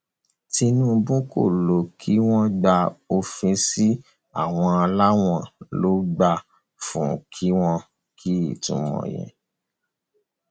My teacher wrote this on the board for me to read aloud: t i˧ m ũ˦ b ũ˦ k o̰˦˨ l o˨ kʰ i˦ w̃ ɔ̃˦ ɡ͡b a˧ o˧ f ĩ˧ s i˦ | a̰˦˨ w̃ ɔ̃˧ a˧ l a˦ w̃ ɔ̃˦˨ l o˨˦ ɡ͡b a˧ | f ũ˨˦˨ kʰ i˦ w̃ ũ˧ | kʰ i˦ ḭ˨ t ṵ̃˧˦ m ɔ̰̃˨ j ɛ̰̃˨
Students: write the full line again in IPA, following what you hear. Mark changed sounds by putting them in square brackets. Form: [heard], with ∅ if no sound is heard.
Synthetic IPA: t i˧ [n] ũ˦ b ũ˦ k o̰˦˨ l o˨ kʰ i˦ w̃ ɔ̃˦ ɡ͡b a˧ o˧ f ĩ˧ s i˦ | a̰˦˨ w̃ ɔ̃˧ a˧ l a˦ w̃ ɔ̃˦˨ l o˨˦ ɡ͡b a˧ | f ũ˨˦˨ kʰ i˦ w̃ [ɔ̃˧] | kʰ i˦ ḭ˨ t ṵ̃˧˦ m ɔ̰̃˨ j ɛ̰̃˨